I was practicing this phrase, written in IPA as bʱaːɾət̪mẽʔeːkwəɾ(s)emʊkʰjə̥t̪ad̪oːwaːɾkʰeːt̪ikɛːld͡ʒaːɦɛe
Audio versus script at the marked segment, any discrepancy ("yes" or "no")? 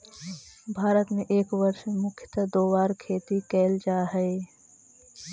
yes